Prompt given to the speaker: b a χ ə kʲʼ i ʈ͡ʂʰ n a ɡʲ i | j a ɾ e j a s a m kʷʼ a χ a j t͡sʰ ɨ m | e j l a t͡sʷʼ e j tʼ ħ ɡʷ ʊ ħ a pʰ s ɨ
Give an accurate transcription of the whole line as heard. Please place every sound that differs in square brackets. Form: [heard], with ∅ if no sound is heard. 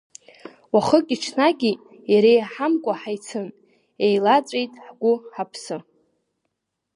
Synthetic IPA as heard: [w] a χ ə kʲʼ i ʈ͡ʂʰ n a ɡʲ i | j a ɾ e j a [ħ] a m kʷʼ a [ħ] a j t͡sʰ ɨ [n] | e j l a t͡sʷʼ e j tʼ ħ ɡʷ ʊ ħ a pʰ s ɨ